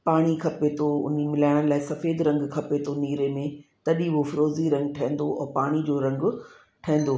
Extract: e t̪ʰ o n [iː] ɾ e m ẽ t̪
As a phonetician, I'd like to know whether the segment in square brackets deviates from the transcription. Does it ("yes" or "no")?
no